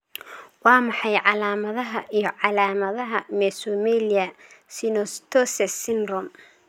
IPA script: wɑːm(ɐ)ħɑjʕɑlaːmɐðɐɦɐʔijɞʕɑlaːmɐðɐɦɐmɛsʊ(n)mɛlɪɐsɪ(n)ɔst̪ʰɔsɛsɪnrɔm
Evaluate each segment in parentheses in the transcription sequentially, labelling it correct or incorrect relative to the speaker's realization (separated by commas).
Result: incorrect, incorrect, correct